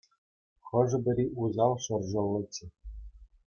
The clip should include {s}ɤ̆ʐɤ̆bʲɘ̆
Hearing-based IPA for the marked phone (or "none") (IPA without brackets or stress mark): χ